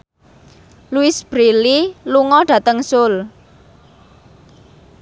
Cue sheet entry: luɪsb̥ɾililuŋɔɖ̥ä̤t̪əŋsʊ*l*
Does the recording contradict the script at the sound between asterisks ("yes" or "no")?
no